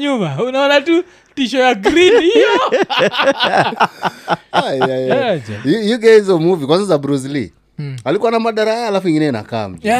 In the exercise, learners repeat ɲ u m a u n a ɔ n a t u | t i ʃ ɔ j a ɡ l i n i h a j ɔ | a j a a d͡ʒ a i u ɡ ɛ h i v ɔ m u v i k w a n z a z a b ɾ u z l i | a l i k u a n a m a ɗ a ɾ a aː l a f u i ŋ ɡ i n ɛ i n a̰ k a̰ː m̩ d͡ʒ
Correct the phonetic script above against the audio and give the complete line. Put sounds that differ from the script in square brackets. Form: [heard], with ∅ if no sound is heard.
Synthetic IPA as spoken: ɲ u m a u n a ɔ n a t u | t i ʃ ɔ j a ɡ [ɾ] i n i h [i] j ɔ | a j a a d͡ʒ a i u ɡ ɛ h i [z] ɔ m u v i k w a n z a z a b ɾ u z l i | a l i k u a n a m a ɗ a ɾ a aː l a f u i ŋ ɡ i n ɛ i n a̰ k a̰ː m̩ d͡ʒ